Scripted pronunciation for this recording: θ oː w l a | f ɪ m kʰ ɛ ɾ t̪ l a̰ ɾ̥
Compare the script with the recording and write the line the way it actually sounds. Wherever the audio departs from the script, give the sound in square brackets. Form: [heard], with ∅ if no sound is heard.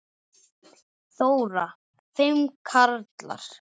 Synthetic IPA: θ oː w [ɾ] a | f ɪ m kʰ [a] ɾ t̪ l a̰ ɾ̥

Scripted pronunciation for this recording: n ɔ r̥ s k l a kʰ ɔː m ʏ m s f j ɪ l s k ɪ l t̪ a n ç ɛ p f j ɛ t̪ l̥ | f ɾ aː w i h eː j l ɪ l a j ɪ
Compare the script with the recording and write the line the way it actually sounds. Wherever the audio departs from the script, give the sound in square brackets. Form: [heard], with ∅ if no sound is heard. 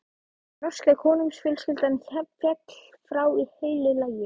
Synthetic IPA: n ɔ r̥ s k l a kʰ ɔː [n] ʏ m s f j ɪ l s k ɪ l t̪ a n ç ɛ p f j ɛ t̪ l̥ | f ɾ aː w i h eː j l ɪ l a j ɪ

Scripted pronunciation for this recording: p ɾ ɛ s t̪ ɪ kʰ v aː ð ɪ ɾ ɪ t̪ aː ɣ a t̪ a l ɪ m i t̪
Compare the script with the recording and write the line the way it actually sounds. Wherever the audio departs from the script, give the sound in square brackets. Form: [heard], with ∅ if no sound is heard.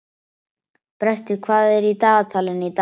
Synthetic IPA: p ɾ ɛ s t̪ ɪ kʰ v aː ð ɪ ɾ [i] t̪ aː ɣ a [t̪ʰ] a l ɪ [n] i t̪

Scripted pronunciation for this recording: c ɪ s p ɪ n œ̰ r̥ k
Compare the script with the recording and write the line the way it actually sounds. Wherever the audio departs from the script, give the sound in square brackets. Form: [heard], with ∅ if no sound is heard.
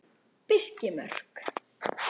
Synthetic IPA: [p] ɪ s [c] ɪ [m] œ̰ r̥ k

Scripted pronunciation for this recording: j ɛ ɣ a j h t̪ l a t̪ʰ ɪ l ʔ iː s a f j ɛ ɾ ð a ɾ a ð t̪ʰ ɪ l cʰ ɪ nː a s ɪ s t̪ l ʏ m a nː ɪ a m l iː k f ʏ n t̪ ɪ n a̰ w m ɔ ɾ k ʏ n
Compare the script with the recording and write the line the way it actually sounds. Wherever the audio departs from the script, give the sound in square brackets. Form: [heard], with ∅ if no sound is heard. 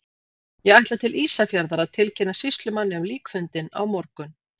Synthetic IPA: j ɛ ɣ a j h t̪ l a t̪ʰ ɪ l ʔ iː s a f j [a] ɾ ð a ɾ a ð t̪ʰ ɪ l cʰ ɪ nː a s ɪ s t̪ l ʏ m a nː ɪ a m l iː k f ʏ n t̪ ɪ n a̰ w m ɔ ɾ k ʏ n

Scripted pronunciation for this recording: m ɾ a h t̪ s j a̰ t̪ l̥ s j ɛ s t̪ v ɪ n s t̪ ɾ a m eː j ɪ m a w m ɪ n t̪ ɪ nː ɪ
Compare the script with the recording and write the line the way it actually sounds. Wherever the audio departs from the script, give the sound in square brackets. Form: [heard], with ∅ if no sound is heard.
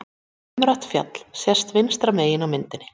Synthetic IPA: m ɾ a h t̪ [f] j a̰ t̪ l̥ s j ɛ s t̪ v ɪ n s t̪ ɾ a m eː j ɪ [n] a w m ɪ n t̪ ɪ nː ɪ

